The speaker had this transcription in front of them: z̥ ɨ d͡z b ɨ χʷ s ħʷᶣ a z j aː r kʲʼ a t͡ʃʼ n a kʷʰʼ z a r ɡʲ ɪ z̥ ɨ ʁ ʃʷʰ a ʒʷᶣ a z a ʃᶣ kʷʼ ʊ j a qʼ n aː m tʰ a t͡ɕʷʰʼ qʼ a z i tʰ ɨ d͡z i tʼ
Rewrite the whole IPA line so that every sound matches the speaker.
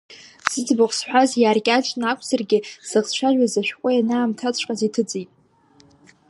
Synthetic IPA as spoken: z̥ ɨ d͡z b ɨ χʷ s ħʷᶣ a z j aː r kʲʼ a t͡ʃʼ n a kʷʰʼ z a r ɡʲ ɪ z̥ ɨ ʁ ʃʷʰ a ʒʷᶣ a z a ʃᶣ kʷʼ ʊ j a n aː m tʰ a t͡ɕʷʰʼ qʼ a z i tʰ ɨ d͡z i tʼ